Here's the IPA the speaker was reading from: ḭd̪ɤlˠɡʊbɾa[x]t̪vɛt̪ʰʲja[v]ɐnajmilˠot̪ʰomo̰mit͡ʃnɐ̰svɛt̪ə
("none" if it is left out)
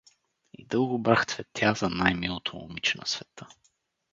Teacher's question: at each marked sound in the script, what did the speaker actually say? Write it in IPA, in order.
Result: x, z

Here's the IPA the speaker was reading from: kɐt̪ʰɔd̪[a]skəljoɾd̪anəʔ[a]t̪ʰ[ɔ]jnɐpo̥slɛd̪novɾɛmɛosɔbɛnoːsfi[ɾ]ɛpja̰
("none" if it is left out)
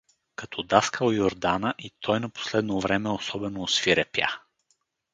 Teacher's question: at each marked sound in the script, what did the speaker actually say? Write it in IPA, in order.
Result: a, i, ɔ, ɾ

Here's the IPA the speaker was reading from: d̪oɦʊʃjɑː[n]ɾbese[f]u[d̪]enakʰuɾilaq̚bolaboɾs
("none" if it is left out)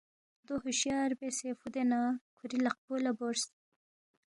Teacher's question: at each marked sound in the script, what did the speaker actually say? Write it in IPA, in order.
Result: none, f, d̪

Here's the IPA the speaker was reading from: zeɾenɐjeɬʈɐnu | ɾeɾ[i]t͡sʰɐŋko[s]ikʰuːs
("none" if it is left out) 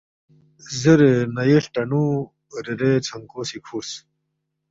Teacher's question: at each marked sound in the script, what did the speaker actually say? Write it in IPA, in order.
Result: e, s

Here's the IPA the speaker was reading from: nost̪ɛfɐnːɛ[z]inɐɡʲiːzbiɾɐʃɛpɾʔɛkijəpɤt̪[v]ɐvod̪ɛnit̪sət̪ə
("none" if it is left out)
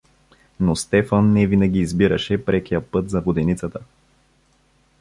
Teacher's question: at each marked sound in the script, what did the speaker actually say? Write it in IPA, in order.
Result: v, z

